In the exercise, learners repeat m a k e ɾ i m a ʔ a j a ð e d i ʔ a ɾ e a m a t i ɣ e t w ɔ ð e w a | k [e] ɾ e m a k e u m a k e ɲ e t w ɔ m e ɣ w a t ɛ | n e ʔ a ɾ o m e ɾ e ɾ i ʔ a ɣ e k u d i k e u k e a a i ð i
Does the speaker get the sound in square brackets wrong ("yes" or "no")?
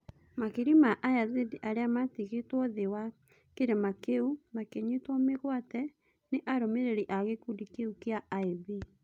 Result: no